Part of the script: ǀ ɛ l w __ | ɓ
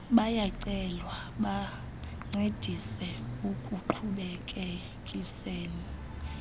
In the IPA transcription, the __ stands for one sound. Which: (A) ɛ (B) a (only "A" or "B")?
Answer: B